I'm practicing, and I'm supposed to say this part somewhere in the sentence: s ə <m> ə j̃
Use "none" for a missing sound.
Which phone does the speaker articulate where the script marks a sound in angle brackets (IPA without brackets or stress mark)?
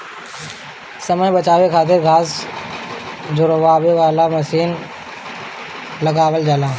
m